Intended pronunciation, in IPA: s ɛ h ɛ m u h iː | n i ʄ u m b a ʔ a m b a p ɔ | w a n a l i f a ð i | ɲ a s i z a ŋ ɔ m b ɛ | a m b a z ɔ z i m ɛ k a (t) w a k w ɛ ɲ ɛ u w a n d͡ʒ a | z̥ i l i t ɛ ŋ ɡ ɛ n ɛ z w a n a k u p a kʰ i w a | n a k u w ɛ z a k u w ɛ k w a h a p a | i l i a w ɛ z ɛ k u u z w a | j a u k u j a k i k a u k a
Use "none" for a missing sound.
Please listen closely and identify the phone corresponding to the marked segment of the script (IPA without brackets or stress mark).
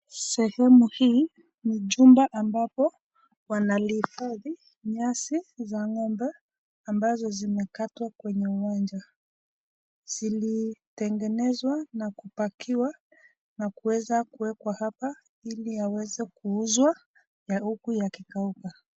t